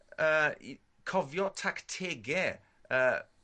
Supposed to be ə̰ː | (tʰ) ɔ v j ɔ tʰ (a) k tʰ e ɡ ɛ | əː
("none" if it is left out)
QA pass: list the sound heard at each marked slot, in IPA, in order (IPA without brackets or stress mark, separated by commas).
kʰ, a